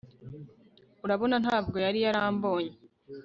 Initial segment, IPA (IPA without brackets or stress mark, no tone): u